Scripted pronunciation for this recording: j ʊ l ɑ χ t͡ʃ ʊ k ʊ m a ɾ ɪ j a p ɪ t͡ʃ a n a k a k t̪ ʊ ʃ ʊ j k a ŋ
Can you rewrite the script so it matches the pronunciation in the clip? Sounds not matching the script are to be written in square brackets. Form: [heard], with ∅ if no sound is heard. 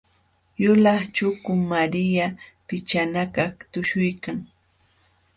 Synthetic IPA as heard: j ʊ l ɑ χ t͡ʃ ʊ k ʊ m a ɾ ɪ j a p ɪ t͡ʃ a n a k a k t̪ ʊ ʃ ʊ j k a ŋ